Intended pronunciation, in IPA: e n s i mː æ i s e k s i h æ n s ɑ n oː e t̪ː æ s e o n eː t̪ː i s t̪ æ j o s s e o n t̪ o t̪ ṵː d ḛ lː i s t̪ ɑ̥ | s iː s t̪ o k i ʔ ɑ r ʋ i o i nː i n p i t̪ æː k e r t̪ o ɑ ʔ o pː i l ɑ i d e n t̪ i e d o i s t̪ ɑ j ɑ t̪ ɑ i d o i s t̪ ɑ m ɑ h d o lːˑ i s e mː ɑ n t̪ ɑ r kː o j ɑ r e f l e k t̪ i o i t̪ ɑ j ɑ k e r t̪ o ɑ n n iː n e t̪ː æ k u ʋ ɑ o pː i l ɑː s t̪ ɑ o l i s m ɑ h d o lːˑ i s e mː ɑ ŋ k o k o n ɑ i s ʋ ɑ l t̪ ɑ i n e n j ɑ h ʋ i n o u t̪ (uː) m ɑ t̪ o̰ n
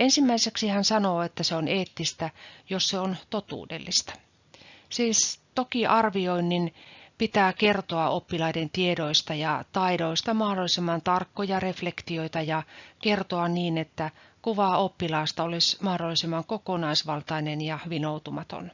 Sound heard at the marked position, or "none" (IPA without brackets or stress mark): u